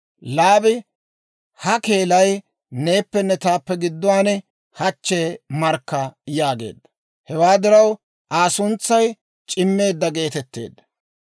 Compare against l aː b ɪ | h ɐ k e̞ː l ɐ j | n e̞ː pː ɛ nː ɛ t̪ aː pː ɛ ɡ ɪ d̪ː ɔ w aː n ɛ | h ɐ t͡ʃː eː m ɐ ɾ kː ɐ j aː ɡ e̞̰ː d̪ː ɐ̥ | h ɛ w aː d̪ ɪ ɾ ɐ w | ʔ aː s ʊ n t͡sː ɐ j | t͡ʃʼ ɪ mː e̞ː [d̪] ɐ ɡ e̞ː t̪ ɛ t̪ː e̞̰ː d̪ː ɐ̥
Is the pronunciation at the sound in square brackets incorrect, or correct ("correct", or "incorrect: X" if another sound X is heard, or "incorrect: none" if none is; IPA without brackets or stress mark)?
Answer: incorrect: d̪ː